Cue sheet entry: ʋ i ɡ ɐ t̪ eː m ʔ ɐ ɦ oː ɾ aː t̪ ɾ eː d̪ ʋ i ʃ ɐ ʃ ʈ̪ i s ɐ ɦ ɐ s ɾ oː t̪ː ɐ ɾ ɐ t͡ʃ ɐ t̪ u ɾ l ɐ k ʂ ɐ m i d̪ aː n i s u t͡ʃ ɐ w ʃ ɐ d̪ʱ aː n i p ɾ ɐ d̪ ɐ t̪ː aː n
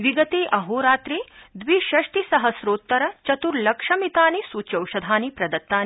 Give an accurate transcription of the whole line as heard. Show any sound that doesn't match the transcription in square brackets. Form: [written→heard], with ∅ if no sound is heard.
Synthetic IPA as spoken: ʋ i ɡ ɐ t̪ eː [m→∅] ʔ ɐ ɦ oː ɾ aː t̪ ɾ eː d̪ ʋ i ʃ ɐ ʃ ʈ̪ i s ɐ ɦ ɐ s ɾ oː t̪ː ɐ ɾ ɐ t͡ʃ ɐ t̪ u ɾ l ɐ k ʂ ɐ m i [d̪→t̪] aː n i s u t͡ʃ ɐ w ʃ ɐ d̪ʱ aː n i p ɾ ɐ d̪ ɐ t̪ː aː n